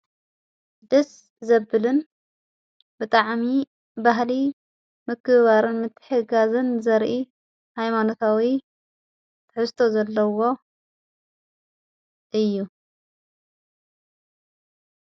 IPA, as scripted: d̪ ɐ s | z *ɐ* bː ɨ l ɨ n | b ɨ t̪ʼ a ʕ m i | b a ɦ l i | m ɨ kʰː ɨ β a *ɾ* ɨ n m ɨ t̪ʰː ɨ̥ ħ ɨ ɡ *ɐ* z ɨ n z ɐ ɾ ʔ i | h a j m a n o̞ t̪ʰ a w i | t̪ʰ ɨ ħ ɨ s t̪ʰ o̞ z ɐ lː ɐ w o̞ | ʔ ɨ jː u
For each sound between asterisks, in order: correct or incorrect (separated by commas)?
correct, correct, incorrect